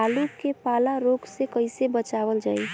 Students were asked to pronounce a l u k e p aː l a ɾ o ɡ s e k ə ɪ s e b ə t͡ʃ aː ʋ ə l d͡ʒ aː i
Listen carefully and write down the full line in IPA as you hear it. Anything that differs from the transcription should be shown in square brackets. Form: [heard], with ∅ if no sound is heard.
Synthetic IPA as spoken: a l u k e p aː l a ɾ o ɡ s e k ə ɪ s e b ə t͡ʃ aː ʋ ə l d͡ʒ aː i